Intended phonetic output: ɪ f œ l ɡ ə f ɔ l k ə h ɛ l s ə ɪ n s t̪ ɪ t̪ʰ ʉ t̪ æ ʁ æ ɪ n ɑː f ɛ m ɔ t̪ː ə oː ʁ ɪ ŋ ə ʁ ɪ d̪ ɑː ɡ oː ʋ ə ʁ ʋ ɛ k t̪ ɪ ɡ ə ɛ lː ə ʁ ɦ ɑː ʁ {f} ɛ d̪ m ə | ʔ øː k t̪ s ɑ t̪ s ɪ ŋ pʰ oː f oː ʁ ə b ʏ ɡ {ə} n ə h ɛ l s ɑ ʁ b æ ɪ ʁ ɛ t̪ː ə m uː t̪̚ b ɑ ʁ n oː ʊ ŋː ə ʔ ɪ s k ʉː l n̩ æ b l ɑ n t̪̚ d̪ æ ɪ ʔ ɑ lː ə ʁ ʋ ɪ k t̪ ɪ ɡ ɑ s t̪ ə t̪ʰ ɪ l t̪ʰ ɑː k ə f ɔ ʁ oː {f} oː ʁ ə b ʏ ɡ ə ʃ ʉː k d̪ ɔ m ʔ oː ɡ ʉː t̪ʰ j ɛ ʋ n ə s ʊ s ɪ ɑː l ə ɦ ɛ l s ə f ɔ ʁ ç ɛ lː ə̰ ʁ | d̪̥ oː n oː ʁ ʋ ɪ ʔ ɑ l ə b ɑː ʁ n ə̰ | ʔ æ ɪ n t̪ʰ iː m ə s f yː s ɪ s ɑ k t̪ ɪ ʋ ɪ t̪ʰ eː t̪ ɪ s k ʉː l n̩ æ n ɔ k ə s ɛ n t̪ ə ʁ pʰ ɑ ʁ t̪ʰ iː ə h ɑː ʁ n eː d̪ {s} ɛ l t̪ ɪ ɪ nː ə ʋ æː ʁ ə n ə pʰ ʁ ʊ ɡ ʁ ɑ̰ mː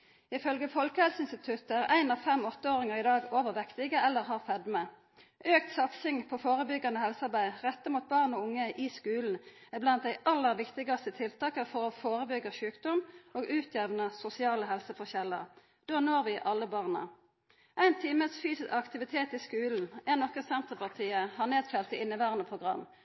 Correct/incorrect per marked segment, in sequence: correct, incorrect: ɑ, correct, incorrect: f

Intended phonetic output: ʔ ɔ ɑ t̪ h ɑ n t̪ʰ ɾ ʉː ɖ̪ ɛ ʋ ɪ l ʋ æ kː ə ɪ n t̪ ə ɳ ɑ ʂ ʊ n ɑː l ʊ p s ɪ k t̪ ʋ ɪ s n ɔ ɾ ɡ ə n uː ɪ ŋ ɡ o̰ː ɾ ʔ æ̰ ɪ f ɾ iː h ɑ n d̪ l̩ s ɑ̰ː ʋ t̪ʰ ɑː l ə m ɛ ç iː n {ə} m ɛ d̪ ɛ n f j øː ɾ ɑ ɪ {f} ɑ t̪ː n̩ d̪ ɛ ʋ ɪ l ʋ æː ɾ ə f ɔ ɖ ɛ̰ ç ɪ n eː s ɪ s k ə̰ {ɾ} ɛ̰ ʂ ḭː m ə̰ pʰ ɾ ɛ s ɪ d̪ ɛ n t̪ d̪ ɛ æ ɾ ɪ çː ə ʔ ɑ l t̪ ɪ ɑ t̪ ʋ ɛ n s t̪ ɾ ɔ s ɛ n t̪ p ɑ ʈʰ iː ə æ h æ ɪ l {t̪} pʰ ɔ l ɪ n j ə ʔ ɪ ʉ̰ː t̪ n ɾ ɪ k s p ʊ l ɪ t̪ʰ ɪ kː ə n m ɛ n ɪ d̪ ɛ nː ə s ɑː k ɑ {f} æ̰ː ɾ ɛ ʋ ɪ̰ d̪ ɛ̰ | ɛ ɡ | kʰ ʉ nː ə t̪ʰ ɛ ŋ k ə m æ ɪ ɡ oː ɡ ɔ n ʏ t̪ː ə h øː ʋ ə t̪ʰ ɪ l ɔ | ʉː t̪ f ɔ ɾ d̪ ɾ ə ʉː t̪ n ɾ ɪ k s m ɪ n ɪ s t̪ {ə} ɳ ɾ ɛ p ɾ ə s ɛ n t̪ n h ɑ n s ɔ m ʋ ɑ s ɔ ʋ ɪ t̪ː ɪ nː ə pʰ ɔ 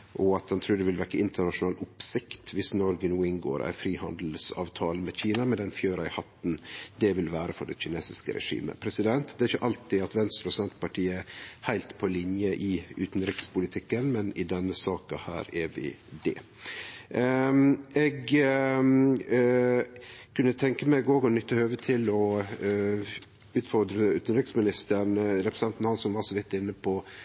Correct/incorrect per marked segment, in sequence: incorrect: ɑ, incorrect: h, correct, correct, incorrect: h, correct

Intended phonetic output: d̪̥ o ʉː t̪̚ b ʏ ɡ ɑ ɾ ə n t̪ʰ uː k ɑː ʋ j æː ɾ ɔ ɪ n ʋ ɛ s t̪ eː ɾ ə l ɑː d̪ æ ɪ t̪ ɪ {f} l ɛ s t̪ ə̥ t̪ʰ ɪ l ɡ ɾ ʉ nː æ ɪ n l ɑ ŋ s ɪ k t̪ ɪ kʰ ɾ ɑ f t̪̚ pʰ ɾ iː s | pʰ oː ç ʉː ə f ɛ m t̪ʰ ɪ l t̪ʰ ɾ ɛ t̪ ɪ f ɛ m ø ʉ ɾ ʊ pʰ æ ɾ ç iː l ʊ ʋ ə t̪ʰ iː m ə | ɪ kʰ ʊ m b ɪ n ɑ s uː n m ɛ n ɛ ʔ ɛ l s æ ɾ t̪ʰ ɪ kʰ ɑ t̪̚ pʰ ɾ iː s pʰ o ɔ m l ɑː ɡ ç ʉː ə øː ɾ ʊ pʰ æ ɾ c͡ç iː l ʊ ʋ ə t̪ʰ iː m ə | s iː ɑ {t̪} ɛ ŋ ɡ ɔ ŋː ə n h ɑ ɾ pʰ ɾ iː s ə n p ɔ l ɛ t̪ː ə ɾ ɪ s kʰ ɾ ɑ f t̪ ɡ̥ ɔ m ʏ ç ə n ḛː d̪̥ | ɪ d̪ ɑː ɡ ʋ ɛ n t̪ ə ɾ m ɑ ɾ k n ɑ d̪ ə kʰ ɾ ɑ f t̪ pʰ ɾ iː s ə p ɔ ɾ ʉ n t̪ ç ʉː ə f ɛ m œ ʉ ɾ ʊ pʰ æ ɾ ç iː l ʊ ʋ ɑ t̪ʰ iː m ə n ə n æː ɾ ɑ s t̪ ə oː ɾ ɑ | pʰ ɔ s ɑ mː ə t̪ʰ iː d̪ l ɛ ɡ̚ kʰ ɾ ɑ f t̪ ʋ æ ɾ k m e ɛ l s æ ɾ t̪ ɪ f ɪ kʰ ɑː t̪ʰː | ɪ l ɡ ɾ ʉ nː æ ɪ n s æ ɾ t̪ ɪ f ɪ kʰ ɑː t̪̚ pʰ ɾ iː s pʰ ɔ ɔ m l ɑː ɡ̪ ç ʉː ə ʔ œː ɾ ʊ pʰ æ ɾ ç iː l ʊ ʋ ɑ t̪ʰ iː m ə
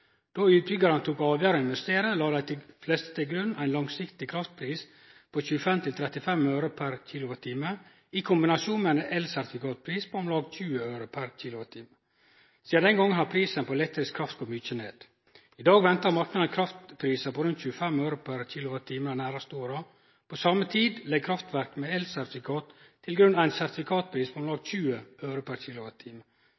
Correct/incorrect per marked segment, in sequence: correct, incorrect: d̪

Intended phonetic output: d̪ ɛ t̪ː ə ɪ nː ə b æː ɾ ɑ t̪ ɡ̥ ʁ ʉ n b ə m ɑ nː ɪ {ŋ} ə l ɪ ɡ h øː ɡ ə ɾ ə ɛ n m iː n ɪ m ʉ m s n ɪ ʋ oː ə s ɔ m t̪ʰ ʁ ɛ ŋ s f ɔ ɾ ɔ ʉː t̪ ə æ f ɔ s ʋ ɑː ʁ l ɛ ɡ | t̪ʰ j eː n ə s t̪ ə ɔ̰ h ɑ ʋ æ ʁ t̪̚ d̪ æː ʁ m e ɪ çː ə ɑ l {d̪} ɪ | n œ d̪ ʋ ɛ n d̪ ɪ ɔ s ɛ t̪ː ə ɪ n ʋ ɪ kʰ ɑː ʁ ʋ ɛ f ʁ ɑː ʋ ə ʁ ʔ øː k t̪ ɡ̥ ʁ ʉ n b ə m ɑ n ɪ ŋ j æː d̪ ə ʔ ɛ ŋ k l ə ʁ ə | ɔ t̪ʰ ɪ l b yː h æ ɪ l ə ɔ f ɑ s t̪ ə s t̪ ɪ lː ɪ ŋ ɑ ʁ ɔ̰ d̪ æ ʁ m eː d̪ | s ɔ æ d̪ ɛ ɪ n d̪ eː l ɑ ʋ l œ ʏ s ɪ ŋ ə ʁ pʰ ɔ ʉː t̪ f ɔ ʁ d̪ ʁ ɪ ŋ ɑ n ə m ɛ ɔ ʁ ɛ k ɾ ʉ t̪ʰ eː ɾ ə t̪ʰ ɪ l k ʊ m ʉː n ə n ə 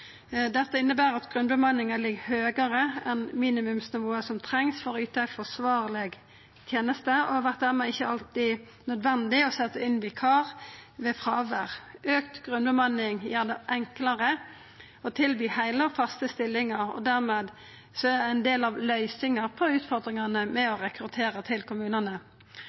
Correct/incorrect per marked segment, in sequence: correct, incorrect: t̪

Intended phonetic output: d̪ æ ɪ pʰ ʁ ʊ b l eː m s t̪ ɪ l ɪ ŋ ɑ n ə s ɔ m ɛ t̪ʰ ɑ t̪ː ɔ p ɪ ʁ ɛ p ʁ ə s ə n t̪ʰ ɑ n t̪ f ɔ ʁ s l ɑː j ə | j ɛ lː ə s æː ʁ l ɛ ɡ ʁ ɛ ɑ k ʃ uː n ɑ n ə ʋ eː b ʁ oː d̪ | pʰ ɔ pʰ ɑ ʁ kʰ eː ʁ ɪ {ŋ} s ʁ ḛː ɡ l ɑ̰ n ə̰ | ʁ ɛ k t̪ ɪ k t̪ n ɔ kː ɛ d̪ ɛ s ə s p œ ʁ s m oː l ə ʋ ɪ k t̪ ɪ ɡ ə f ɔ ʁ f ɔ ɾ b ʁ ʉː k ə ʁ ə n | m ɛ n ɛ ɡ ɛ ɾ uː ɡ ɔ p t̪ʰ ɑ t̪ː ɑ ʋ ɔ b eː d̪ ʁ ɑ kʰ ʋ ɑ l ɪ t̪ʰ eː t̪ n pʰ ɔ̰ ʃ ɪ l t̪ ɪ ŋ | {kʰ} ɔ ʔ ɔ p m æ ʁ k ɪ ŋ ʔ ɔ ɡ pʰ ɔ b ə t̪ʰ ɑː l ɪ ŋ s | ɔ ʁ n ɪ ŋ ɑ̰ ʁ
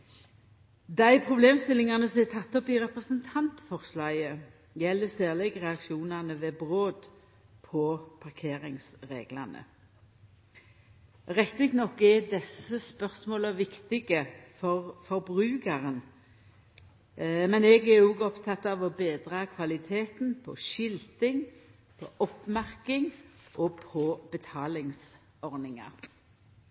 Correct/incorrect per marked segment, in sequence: correct, incorrect: pʰ

